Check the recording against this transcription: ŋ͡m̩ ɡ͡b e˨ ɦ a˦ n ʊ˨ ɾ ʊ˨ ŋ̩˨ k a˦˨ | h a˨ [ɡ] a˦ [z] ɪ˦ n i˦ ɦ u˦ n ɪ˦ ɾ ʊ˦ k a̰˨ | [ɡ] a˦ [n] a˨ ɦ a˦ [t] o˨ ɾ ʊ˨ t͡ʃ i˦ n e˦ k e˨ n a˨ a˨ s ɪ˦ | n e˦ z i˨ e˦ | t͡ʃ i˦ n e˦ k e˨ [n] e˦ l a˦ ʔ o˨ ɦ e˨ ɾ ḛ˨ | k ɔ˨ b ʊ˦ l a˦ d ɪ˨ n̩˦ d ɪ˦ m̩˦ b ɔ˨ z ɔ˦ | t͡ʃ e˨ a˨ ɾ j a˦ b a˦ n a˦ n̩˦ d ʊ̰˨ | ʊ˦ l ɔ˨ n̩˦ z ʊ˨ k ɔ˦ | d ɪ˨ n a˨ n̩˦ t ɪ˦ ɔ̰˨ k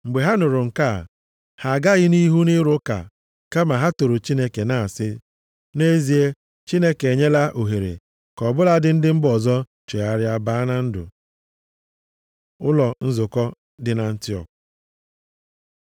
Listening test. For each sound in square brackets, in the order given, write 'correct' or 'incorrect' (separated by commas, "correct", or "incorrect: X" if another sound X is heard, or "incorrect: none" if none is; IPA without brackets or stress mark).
correct, incorrect: ɣ, incorrect: k, incorrect: m, correct, incorrect: ɲ